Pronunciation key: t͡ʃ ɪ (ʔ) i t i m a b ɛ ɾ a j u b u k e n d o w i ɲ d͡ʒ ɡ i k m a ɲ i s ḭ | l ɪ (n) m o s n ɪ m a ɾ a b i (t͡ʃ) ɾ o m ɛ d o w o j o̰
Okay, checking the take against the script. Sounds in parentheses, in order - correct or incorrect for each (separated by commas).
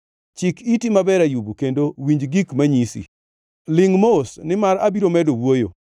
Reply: incorrect, incorrect, incorrect